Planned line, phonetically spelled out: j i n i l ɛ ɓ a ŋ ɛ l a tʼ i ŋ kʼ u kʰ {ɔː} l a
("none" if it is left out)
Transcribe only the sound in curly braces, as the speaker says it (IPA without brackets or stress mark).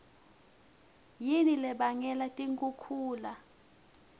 uː